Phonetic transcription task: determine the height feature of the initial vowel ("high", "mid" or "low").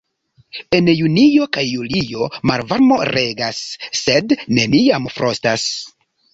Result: mid